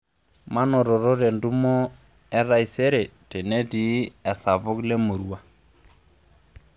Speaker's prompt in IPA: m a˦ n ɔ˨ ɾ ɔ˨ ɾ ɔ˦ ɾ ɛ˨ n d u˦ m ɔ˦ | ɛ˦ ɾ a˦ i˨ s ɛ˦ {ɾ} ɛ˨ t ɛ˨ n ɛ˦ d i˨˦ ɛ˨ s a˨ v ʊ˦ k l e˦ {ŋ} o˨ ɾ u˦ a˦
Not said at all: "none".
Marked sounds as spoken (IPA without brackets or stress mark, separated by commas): ɾ, m